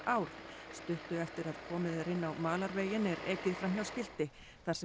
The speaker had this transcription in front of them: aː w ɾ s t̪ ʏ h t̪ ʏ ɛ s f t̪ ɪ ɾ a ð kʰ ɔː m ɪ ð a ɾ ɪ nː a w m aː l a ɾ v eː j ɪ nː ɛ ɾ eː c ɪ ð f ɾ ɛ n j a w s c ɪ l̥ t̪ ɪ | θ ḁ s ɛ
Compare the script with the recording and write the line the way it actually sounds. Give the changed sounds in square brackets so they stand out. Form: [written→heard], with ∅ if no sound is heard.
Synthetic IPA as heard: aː w ɾ s t̪ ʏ h t̪ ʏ ɛ [s→∅] f t̪ ɪ ɾ a ð kʰ ɔː m ɪ ð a ɾ ɪ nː a w m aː l a ɾ v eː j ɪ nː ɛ ɾ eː c ɪ ð f ɾ [ɛ→a] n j a w s c ɪ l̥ t̪ ɪ | θ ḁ s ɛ